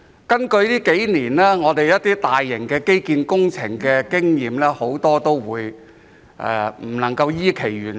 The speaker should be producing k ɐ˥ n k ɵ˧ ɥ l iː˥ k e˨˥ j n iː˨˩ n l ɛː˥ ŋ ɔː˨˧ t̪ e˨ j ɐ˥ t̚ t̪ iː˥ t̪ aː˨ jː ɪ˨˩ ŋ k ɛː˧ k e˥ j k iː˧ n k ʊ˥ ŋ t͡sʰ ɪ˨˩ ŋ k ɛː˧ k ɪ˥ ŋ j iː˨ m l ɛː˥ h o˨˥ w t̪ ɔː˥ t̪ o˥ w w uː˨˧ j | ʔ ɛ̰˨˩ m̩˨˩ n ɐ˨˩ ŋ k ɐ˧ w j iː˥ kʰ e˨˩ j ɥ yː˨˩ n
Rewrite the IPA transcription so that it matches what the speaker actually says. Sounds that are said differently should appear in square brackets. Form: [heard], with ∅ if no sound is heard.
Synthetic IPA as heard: k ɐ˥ n k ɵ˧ ɥ l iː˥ k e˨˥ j n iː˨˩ n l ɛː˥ ŋ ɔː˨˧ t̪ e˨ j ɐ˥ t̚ t̪ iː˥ t̪ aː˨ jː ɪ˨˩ ŋ k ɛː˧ k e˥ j k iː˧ n k ʊ˥ ŋ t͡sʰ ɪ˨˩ ŋ k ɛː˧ k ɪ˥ ŋ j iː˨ m l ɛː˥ h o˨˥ w t̪ ɔː˥ t̪ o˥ w w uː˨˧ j | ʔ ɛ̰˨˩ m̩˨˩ n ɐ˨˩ ŋ k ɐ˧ w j iː˥ kʰ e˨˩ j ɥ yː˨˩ n